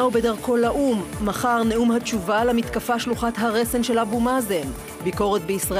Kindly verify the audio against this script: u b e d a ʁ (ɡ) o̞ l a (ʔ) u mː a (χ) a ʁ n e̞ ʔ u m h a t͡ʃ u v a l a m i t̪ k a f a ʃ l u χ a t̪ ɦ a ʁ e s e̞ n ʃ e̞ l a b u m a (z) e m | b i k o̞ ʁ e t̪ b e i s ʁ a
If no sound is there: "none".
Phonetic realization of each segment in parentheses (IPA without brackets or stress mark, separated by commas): k, ʔ, χ, z